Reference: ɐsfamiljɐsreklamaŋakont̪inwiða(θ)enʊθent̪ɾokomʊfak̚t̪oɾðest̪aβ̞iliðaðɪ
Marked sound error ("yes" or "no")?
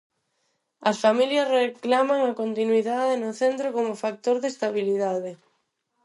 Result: yes